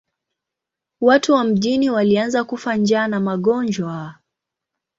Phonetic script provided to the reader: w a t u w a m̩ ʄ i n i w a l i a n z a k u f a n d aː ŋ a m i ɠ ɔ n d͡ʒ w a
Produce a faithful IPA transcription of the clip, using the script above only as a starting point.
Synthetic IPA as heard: w a t u w a m̩ ʄ i n i w a l i a n z a k u f a n d͡ʒ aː n a m a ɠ ɔ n d͡ʒ w a